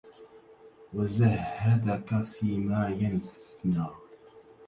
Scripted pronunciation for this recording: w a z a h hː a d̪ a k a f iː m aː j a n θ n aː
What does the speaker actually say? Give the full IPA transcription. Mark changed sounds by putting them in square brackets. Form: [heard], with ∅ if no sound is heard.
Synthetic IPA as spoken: w a z a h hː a d̪ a k a f iː m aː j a n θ n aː